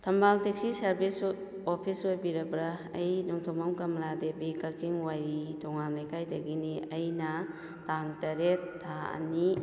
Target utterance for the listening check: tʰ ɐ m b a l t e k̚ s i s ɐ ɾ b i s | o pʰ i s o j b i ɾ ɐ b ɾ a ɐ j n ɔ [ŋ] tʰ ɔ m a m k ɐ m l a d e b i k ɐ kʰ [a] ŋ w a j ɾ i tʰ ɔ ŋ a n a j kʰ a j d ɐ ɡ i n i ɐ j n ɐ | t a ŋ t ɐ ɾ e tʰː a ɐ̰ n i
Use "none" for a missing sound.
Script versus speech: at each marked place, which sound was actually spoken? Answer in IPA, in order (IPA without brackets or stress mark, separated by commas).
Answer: ŋ, i